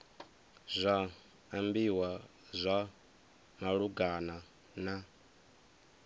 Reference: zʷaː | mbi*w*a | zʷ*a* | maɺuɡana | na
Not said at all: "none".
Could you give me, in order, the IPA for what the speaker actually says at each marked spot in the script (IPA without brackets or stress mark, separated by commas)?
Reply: w, a